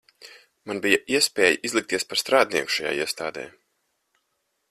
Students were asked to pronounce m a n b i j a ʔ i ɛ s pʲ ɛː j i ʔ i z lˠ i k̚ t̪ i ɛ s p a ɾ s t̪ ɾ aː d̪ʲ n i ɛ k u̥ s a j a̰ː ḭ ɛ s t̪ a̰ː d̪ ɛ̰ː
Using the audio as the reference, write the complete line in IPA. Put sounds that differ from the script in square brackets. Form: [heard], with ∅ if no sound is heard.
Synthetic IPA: m a n b i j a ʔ i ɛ s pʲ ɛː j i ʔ i z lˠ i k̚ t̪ i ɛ s p a ɾ s t̪ ɾ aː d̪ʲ n i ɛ k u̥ [ʃ] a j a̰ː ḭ ɛ s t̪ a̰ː d̪ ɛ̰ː